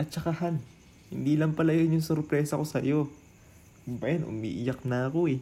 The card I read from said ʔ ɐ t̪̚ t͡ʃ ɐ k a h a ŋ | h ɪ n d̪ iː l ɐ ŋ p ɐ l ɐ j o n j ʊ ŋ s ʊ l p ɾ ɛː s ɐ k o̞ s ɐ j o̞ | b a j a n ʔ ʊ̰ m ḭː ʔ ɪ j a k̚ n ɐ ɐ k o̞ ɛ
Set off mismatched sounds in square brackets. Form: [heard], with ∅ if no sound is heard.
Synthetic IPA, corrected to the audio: ʔ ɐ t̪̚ t͡ʃ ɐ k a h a [n] | h ɪ n d̪ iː l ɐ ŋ p ɐ l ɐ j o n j ʊ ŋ s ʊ [ɾ] p ɾ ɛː s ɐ k o̞ s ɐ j o̞ | b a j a n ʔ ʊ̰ m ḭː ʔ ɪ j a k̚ n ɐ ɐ k o̞ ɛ